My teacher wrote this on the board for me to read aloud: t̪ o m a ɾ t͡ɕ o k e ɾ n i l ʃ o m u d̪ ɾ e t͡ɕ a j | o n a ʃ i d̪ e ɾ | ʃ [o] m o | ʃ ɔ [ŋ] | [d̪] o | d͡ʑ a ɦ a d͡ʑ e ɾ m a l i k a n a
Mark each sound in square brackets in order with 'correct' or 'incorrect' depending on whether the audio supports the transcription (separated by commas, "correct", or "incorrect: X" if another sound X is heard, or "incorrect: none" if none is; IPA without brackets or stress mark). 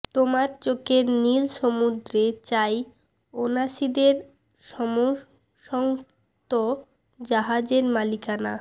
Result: incorrect: ɔ, correct, incorrect: t̪